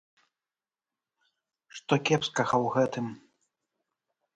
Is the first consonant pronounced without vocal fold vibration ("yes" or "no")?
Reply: yes